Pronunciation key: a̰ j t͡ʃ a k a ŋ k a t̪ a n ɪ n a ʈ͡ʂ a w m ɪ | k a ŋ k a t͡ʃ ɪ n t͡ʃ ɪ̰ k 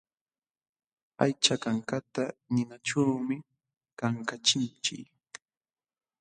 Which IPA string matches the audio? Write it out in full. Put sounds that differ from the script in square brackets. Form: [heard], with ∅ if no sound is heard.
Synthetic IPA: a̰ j t͡ʃ a k a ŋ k a t̪ a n ɪ n a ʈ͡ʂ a w m ɪ | k a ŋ k a t͡ʃ ɪ n t͡ʃ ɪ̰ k